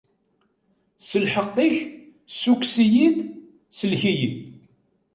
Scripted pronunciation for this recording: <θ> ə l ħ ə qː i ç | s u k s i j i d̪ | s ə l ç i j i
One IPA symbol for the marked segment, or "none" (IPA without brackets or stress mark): s